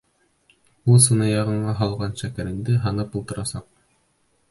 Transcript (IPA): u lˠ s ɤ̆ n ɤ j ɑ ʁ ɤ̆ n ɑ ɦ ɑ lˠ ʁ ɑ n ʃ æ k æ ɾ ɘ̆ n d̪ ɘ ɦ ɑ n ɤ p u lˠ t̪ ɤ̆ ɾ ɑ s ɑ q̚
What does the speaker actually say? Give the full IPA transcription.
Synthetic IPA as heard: u lˠ s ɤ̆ n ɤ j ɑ ʁ ɤ̆ ɴ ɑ ɦ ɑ lˠ ʁ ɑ n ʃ æ k æ ɾ ɘ̆ n d̪ ɘ ɦ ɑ n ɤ p u lˠ t̪ ɤ̆ ɾ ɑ s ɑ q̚